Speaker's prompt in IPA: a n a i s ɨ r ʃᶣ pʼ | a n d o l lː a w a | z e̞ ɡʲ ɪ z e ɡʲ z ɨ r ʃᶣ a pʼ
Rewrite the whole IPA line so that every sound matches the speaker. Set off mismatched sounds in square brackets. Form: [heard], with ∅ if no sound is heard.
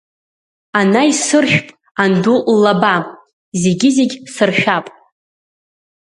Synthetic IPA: a n a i s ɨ r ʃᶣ pʼ | a n d [u] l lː a [b] a | z e̞ ɡʲ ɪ z e ɡʲ [s] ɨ r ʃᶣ a pʼ